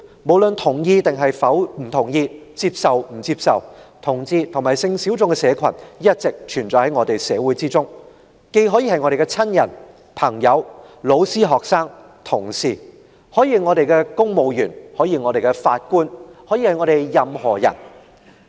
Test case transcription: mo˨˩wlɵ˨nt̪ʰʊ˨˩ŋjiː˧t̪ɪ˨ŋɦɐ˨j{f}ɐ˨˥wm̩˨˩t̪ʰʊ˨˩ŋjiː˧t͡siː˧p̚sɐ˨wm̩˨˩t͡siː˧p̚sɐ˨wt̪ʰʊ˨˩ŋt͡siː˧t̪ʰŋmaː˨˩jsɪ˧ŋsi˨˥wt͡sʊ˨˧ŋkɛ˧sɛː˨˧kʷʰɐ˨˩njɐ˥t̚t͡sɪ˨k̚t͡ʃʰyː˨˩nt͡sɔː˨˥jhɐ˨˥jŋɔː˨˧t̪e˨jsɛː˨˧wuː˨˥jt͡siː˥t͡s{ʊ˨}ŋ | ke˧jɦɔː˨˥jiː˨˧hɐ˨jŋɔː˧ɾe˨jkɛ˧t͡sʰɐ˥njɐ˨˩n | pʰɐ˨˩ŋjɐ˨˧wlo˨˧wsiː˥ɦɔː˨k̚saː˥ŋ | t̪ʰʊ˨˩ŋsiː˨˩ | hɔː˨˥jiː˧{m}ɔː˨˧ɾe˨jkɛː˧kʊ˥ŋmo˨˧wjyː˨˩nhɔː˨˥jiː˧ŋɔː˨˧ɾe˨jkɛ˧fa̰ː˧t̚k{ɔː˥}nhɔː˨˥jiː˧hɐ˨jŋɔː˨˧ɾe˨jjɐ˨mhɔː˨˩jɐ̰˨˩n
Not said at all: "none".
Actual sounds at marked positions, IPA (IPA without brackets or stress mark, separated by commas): f, ʊ˥, ŋ, uː˥